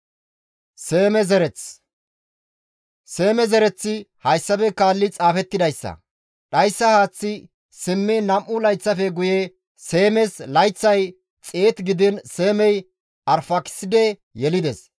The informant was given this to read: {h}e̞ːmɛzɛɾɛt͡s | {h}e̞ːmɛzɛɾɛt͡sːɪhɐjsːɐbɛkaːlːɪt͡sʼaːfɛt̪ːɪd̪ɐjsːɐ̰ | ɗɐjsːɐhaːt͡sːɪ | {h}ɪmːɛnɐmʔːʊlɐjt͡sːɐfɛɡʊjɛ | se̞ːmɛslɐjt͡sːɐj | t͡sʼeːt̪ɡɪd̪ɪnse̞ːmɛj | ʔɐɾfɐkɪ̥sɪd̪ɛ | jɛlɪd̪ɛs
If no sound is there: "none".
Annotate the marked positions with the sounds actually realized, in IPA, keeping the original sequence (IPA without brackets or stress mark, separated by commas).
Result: s, s, s